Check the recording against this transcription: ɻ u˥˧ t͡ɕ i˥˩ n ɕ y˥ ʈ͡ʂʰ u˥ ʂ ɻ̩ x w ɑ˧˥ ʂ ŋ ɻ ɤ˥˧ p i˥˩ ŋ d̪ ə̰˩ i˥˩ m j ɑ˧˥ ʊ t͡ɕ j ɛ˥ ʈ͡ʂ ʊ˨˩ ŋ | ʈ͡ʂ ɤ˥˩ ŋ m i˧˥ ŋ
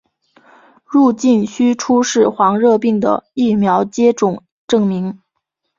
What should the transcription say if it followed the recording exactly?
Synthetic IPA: ɻ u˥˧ t͡ɕ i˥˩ n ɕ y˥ ʈ͡ʂʰ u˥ ʂ ɻ̩ x w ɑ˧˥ ŋ ɻ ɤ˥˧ p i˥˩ ŋ d̪ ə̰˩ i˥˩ m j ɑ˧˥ ʊ t͡ɕ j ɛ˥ ʈ͡ʂ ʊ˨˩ ŋ | ʈ͡ʂ ɤ˥˩ ŋ m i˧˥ ŋ